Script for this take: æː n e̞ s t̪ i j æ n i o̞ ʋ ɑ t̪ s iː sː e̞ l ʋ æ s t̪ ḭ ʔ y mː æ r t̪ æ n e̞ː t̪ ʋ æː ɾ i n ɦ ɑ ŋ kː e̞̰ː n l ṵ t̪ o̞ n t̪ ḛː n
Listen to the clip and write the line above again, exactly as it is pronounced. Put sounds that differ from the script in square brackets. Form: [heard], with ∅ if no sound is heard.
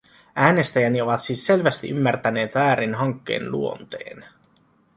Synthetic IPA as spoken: æː n e̞ s t̪ [æ] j æ n i o̞ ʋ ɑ t̪ s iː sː e̞ l ʋ æ s t̪ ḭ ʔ y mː æ r t̪ æ n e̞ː t̪ ʋ æː ɾ i n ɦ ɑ ŋ kː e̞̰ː n l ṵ [∅] o̞ n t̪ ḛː n